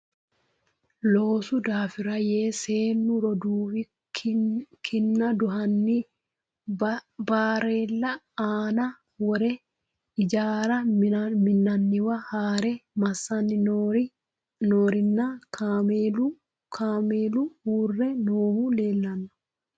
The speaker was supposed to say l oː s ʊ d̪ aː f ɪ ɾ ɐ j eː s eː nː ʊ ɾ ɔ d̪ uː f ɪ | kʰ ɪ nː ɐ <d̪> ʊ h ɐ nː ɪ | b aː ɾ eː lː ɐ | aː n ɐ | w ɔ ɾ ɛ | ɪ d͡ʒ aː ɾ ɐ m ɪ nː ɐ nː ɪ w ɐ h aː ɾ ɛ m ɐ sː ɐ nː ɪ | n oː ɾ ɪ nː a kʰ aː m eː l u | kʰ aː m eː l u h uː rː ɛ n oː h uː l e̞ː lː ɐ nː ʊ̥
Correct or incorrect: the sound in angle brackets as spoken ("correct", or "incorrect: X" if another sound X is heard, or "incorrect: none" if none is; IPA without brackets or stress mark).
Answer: correct